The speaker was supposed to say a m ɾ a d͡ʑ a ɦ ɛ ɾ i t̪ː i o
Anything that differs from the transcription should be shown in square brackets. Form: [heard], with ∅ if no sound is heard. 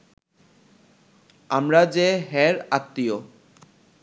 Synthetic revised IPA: a m ɾ a d͡ʑ [e] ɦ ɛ ɾ [a] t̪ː i o